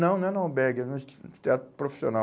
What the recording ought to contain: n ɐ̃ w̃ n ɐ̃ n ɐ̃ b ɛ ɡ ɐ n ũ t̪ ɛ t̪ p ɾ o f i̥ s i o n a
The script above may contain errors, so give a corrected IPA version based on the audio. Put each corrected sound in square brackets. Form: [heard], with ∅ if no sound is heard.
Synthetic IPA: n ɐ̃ w̃ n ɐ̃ n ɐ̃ b ɛ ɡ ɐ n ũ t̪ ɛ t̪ p ɾ o f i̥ s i o n a